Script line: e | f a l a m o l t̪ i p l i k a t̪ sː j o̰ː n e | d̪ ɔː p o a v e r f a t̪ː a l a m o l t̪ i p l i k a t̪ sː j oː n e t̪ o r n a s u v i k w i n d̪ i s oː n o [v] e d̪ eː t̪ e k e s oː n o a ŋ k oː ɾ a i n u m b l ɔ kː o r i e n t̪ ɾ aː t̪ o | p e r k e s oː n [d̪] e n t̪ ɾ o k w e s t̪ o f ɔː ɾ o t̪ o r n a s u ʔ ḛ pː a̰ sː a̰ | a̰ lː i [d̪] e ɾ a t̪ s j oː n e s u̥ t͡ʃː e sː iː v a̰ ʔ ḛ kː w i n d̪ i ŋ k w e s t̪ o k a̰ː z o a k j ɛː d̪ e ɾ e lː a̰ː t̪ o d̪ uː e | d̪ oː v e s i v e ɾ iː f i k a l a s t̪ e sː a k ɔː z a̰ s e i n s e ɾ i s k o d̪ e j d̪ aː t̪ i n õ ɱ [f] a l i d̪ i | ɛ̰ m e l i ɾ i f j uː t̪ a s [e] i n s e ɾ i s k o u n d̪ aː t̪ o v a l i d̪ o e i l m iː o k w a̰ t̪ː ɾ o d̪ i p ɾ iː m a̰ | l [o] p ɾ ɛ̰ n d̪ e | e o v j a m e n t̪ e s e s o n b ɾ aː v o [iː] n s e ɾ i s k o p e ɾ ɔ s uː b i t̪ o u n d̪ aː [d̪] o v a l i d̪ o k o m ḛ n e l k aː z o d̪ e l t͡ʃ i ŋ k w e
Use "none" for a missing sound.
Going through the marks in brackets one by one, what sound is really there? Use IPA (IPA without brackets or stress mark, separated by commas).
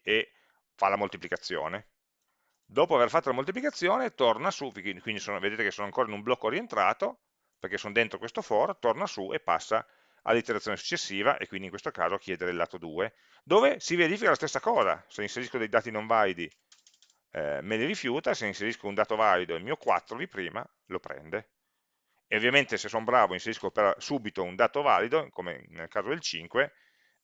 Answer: v, d̪, t̪, v, e, o, i, t̪